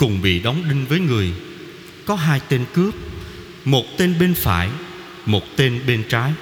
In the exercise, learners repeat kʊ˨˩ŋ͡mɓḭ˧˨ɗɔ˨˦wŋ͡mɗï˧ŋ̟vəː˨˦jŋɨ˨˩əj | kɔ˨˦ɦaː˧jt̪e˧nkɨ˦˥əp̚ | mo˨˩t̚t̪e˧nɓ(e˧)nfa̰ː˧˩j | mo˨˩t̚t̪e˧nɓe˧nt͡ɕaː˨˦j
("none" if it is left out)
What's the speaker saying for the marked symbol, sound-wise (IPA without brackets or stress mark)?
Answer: e˧